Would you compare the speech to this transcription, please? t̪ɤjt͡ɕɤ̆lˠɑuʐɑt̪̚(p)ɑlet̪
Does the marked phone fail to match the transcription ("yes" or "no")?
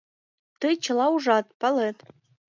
no